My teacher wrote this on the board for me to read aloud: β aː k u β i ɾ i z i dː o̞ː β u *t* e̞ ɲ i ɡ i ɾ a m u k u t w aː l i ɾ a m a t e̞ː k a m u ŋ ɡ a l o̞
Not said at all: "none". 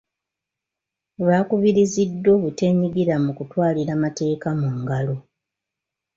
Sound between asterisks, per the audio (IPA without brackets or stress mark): t